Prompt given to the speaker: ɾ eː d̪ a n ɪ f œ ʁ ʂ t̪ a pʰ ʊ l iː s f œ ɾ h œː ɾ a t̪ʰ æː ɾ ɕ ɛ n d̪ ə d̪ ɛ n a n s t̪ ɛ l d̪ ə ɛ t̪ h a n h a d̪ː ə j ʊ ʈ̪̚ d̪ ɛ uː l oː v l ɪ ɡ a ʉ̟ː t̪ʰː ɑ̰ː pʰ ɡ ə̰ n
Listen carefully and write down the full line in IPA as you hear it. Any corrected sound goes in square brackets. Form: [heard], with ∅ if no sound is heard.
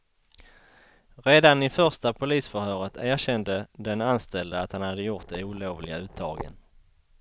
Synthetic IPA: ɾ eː d̪ a n ɪ f œ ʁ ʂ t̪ a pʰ ʊ l iː s f œ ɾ h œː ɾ [ə] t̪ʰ æː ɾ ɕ ɛ n d̪ ə d̪ ɛ n a n s t̪ ɛ l d̪ ə [a] t̪ h a n h a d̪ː ə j ʊ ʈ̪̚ d̪ ɛ uː l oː v l ɪ ɡ a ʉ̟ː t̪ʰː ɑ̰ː [∅] ɡ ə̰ n